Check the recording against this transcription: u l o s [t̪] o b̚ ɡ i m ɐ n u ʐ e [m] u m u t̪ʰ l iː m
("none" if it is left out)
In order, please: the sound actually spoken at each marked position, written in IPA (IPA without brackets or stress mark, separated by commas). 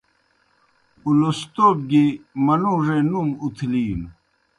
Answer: t̪, n